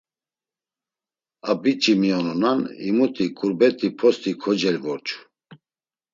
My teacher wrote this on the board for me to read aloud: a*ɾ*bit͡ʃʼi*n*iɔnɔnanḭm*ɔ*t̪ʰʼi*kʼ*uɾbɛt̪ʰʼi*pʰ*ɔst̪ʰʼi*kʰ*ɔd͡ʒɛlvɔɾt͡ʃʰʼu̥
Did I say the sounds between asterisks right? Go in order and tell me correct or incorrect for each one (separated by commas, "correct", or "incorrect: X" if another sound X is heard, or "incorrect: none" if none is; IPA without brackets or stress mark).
incorrect: none, incorrect: m, incorrect: u, correct, correct, correct